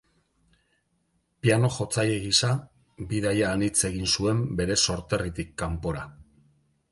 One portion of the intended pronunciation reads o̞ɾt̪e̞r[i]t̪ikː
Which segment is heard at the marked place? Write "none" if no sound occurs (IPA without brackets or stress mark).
i